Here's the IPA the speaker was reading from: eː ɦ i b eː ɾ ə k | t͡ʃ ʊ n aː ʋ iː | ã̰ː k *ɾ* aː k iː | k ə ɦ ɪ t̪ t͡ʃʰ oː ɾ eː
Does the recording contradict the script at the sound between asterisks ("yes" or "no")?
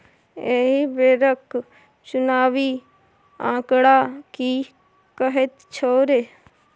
yes